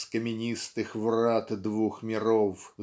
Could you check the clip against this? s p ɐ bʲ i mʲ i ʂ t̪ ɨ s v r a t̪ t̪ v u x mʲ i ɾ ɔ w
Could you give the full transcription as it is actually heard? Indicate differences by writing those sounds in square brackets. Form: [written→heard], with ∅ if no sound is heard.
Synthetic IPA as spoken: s [p→k] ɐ [bʲ→mʲ] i [mʲ→nʲ] i [ʂ→s] t̪ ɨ [s→x] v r a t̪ [t̪→d̪] v u x mʲ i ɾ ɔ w